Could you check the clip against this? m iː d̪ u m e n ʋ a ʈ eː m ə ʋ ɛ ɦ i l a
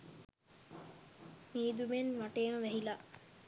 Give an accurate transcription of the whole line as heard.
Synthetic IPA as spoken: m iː d̪ u m e n ʋ a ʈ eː m ə ʋ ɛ ɦ i l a